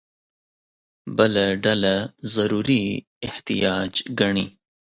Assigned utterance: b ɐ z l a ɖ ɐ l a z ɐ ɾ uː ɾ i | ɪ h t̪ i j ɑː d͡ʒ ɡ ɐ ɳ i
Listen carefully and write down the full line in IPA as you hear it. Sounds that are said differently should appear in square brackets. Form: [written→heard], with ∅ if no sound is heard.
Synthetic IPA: b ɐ [z→∅] l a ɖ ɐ l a z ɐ ɾ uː ɾ i | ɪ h t̪ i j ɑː d͡ʒ ɡ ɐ ɳ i